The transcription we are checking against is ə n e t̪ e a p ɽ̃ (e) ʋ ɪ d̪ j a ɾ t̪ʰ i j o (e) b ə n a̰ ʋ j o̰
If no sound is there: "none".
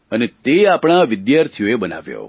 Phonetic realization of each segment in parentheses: a, e

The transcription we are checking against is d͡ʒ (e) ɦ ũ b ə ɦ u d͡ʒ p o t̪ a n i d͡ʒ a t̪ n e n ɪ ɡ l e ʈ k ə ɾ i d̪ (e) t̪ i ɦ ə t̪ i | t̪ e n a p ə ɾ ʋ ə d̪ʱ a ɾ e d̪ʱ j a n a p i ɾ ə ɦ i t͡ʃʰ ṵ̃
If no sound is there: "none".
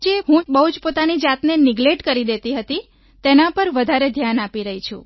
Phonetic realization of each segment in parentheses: e, e

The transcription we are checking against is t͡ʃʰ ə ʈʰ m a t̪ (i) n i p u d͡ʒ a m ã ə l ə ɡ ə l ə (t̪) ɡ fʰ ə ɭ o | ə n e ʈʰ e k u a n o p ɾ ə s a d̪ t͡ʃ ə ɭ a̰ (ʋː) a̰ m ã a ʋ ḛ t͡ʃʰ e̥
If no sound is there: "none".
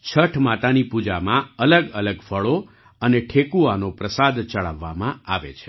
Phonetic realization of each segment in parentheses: a, none, ʋː

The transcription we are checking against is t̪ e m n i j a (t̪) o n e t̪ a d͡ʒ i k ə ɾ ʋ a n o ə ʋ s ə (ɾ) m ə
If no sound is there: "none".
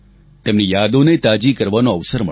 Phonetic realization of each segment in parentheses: d̪, ɾ

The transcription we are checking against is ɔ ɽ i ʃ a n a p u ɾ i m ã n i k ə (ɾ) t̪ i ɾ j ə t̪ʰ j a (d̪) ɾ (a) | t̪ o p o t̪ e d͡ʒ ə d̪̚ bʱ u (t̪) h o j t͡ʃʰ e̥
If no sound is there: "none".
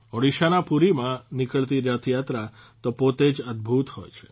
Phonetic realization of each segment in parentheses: ɭ, t̪, a, t̪

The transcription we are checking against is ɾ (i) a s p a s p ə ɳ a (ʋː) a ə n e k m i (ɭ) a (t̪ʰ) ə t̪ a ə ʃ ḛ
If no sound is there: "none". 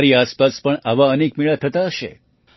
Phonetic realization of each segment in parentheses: i, ʋ, ɭ, t̪ʰ

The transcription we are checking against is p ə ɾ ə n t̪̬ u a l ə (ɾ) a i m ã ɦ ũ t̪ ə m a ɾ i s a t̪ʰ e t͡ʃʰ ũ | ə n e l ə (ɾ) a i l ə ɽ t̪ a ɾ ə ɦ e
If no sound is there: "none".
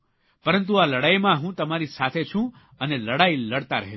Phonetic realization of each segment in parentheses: ɽ, ɽ

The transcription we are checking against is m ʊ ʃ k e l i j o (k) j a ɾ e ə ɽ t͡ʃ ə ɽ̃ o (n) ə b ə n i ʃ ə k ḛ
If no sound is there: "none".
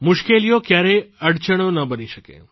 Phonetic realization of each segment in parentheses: k, n

